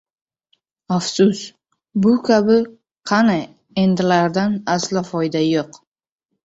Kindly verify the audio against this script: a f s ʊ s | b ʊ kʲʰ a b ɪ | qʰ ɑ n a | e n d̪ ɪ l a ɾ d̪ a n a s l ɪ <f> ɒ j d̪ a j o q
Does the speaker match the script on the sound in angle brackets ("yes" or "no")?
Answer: yes